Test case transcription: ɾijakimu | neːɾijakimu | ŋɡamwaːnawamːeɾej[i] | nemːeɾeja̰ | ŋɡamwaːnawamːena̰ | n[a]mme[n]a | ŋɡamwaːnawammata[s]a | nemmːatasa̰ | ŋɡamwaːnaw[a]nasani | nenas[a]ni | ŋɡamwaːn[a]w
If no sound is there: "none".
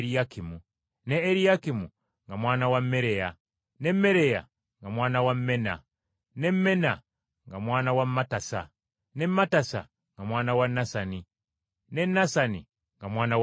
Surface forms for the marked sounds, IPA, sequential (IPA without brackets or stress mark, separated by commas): a, e, n, s, a, a, a